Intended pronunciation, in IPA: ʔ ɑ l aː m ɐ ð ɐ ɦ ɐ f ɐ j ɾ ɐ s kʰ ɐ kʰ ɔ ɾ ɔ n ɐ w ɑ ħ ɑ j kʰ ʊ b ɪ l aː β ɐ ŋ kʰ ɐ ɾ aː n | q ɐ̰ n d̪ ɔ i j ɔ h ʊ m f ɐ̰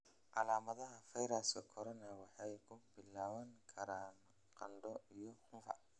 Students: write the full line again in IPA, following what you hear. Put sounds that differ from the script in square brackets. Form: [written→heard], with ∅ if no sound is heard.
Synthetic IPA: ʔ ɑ l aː m ɐ ð ɐ ɦ ɐ f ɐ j ɾ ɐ s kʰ ɐ kʰ ɔ ɾ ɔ n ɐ w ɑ ħ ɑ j kʰ ʊ b ɪ l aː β ɐ ŋ kʰ ɐ ɾ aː n | q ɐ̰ n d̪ ɔ i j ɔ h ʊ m f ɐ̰